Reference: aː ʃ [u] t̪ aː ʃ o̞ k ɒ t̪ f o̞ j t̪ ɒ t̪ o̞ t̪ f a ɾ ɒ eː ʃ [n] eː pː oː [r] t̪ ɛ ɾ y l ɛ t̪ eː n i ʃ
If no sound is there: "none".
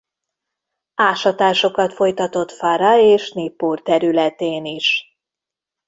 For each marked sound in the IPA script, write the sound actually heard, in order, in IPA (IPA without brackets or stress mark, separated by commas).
ɒ, n, r